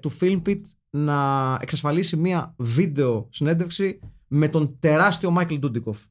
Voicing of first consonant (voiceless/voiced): voiceless